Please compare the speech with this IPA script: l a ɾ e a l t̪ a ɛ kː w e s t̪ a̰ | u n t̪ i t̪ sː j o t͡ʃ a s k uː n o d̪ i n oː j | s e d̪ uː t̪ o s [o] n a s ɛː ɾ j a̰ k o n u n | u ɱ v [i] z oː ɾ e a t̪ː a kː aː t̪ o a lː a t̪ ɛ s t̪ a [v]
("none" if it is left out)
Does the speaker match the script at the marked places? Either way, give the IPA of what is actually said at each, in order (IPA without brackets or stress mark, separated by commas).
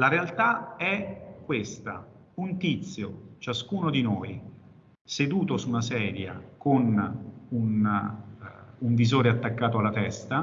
u, i, none